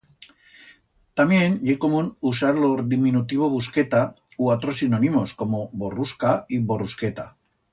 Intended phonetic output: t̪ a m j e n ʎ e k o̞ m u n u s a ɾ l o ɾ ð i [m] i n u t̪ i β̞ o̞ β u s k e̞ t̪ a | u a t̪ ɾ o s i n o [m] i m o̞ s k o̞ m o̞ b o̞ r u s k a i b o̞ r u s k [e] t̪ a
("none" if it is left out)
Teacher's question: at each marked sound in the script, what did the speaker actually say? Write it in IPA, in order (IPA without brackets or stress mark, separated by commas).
m, n, e